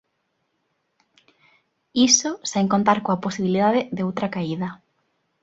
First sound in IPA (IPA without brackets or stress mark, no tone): i